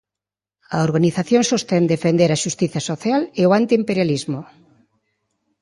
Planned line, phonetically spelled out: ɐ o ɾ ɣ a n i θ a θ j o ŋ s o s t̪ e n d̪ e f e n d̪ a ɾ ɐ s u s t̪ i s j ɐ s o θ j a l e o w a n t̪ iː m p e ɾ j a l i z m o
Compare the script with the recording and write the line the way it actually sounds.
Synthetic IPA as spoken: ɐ o ɾ ɣ a n i θ a θ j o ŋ s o s t̪ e n d̪ e f e n d̪ e ɾ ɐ ʃ u s t̪ i θ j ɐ s o θ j a l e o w a n t̪ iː m p e ɾ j a l i z m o